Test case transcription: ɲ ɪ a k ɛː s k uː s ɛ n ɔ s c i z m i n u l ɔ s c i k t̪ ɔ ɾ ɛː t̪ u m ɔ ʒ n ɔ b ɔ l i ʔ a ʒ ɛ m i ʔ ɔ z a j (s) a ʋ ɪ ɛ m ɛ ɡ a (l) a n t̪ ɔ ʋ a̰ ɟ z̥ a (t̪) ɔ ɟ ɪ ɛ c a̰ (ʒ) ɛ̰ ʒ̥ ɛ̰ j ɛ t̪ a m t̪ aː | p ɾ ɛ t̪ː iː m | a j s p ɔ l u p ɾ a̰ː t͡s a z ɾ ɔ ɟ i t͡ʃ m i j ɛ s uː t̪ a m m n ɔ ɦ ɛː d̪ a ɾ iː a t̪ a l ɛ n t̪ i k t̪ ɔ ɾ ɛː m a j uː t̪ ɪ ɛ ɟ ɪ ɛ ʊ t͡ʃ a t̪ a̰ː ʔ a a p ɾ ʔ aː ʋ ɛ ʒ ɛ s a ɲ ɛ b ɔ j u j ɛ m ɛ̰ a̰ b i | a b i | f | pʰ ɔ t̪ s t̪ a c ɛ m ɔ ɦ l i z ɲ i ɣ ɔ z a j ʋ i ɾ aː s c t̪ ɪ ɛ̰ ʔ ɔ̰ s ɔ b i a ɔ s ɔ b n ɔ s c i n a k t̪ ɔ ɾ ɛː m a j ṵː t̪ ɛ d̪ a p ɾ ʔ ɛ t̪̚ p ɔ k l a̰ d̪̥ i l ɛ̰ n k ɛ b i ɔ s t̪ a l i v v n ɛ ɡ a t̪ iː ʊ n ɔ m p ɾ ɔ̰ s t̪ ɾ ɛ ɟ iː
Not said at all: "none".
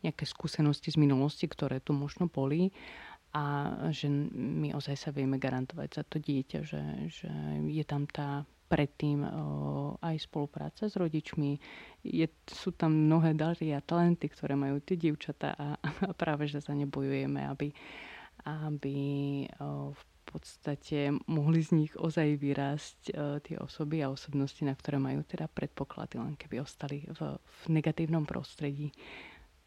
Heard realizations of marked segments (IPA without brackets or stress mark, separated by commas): s, ɾ, t̪, ʒ